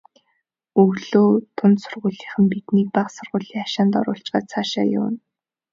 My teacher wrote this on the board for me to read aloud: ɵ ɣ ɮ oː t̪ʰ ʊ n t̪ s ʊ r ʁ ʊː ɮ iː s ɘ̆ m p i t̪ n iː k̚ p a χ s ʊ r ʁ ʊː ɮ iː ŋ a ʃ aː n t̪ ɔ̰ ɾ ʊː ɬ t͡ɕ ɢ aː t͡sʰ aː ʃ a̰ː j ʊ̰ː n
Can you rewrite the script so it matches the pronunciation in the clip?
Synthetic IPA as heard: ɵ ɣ ɮ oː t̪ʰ ʊ n t̪ s ʊ r ʁ ʊː ɮ iː χ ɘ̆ m p i t̪ n iː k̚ p a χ s ʊ r ʁ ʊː ɮ iː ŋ a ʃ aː n t̪ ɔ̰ ɾ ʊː ɬ t͡ɕ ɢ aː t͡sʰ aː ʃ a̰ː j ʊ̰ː n